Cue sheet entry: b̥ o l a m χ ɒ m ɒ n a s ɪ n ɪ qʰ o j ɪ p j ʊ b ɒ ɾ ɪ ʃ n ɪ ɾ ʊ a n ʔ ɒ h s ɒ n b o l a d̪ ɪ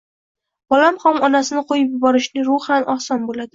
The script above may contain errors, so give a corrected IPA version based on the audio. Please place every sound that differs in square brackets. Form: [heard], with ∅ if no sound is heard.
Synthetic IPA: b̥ [ɒ] l a m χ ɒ m ɒ n a s ɪ n ɪ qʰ o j ɪ p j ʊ b ɒ ɾ ɪ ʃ n ɪ ɾ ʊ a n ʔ ɒ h s ɒ n b o l a d̪ ɪ